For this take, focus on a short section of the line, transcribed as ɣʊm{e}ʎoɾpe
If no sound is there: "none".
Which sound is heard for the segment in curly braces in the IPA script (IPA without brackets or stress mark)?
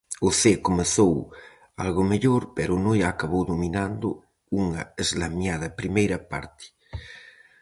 e